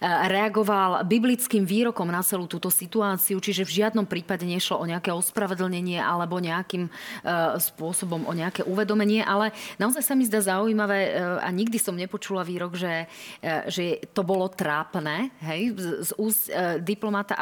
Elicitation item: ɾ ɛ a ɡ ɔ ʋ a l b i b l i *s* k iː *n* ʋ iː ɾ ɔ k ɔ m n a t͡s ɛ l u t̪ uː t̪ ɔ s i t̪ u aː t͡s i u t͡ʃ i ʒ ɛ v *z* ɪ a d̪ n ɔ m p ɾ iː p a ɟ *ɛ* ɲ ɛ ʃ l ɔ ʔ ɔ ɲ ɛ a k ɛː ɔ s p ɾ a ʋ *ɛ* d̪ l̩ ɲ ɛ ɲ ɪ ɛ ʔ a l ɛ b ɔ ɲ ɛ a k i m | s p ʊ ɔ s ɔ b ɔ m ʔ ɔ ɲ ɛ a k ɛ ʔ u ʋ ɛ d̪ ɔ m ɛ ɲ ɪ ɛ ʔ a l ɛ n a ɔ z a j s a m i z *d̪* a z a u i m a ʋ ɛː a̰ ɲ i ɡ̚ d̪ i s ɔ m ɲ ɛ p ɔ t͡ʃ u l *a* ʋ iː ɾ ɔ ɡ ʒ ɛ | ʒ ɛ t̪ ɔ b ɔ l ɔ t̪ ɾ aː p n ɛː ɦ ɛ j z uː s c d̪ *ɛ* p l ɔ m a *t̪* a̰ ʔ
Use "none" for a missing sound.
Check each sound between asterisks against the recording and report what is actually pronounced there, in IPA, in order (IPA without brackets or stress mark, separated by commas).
t͡s, m, ʒ, ɛ, ɛ, d̪, a, i, t̪